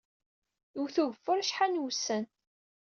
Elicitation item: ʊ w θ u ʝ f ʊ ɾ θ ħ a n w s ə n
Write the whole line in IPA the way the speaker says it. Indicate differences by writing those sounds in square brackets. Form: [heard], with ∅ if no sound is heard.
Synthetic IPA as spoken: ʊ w θ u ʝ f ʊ ɾ [ʃ] ħ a n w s ə n